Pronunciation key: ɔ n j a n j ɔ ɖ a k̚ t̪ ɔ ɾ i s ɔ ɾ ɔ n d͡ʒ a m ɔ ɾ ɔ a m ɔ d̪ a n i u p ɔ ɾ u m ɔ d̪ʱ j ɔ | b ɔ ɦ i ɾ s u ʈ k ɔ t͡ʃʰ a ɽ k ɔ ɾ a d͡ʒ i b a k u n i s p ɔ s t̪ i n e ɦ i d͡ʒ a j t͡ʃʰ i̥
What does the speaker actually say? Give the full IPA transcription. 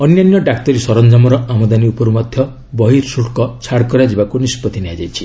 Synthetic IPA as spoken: ɔ n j a n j ɔ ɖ a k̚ t̪ ɔ ɾ i s ɔ ɾ ɔ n d͡ʒ a m ɔ ɾ ɔ a m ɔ d̪ a n i u p ɔ ɾ u m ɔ d̪ʱ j ɔ | b ɔ ɦ i ɾ s u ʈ k ɔ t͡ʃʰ a ɽ k ɔ ɾ a d͡ʒ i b a k u n i s p ɔ t̪ i n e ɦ a d͡ʒ a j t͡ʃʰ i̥